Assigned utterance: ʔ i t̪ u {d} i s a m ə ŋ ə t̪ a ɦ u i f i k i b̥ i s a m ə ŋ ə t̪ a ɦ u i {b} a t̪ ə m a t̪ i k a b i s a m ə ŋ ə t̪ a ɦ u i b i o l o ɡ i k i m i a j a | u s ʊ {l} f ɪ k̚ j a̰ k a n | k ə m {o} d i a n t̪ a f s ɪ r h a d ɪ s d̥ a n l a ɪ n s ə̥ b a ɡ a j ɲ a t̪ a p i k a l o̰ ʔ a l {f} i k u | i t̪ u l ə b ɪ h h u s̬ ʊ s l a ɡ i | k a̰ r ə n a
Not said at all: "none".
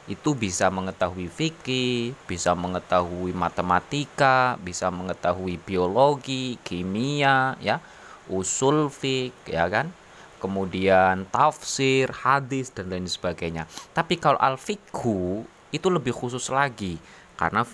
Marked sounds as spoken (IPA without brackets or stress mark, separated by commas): b, m, l, u, f